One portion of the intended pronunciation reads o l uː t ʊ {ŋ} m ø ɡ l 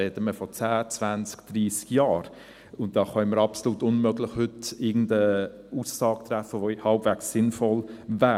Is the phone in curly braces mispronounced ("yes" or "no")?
yes